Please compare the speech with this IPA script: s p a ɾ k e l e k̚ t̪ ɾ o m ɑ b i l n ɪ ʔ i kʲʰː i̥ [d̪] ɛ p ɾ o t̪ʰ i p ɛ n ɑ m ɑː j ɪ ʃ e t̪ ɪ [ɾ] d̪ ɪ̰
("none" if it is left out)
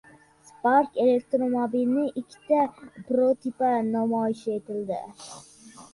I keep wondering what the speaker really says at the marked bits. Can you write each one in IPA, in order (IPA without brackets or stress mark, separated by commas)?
t̪, l